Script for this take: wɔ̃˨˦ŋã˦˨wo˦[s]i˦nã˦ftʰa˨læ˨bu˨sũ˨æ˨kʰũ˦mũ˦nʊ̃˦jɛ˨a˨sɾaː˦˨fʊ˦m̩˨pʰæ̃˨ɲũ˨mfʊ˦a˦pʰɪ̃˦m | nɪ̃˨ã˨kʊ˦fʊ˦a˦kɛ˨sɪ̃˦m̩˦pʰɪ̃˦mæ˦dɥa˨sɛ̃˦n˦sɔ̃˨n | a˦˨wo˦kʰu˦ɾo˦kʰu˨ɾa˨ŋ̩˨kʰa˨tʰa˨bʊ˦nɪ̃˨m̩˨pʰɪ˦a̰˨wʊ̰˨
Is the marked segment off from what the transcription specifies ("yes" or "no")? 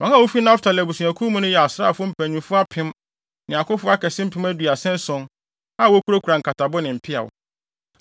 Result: yes